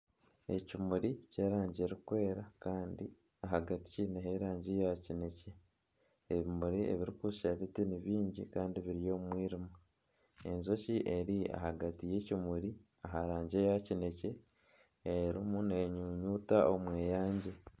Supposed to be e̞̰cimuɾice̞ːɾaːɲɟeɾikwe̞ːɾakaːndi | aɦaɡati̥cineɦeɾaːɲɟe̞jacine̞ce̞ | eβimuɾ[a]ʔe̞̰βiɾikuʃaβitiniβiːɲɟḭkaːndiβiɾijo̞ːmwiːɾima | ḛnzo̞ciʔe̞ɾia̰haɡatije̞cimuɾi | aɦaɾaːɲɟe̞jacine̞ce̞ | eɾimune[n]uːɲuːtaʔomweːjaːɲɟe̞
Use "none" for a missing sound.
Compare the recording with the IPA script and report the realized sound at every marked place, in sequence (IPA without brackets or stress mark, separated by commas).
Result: i, ɲ